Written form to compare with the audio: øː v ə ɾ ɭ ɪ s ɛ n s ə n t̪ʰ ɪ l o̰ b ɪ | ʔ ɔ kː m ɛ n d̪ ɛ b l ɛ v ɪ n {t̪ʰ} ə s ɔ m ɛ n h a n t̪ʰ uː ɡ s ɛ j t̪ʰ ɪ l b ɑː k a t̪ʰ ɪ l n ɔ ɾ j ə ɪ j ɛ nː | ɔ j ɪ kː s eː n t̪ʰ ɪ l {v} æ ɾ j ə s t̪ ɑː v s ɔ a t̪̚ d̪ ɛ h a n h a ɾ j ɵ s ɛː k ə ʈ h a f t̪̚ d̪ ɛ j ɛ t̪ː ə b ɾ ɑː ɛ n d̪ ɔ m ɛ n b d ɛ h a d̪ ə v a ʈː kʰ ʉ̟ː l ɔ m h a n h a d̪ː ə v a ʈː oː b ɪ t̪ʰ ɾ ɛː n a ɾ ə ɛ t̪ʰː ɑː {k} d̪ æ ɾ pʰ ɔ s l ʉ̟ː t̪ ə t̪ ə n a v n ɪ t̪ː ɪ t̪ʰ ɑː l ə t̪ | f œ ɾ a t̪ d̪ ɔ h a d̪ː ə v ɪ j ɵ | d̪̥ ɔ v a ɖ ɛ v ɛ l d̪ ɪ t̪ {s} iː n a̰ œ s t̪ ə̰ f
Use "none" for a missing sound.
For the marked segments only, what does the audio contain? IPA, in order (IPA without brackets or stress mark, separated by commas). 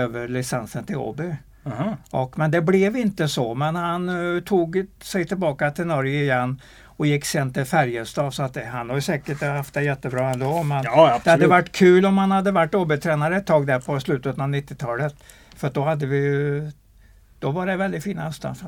t̪, f, ɡ, f